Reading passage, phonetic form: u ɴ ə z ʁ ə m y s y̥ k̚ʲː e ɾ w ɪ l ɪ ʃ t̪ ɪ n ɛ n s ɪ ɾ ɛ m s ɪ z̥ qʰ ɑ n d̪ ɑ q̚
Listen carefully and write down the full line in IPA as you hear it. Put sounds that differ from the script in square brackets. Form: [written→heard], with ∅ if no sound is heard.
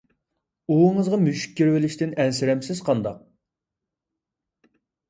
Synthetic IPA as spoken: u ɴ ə z ʁ [ə→ɑ] m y [s→ʃ] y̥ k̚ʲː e ɾ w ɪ l ɪ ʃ t̪ ɪ n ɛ n s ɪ ɾ ɛ m s ɪ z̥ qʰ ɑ n d̪ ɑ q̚

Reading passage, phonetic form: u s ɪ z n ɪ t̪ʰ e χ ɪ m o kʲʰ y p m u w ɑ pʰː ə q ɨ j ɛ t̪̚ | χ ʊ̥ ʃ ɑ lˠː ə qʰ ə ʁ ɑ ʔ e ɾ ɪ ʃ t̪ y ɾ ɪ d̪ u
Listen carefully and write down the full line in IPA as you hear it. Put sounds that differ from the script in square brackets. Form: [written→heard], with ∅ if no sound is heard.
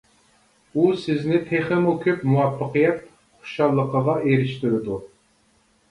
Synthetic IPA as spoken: u s ɪ z n ɪ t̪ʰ e χ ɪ m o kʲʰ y p m u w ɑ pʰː ə q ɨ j ɛ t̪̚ | χ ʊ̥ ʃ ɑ lˠː ə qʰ ə ʁ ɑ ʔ e ɾ ɪ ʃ t̪ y ɾ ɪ d̪ u

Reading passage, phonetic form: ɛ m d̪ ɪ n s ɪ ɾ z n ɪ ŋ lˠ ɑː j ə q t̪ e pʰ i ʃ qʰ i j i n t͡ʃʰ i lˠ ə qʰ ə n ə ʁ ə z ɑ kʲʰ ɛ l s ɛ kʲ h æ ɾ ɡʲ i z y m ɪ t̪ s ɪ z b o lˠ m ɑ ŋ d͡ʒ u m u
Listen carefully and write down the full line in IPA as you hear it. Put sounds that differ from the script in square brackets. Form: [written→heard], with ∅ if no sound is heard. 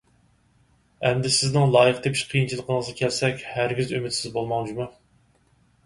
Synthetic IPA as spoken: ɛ m d̪ ɪ [n→∅] s ɪ [ɾ→∅] z n ɪ ŋ lˠ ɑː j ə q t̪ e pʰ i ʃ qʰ i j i n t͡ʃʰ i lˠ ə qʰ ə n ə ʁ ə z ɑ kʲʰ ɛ l s ɛ kʲ h æ ɾ ɡʲ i z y m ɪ t̪ s ɪ z b o lˠ m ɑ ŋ d͡ʒ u m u

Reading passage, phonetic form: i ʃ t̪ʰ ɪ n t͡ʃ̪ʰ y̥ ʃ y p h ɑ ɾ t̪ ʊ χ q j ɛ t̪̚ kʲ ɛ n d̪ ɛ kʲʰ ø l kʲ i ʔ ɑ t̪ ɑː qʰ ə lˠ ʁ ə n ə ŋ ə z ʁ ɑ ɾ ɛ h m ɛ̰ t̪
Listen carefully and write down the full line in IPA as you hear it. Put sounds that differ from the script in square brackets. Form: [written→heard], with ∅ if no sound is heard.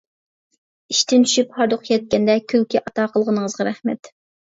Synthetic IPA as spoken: i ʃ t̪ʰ ɪ n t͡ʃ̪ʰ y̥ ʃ y p h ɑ ɾ [t̪→d̪] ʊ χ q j ɛ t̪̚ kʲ ɛ n d̪ ɛ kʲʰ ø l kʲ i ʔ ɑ t̪ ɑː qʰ ə lˠ ʁ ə n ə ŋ ə z ʁ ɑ ɾ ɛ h m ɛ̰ t̪

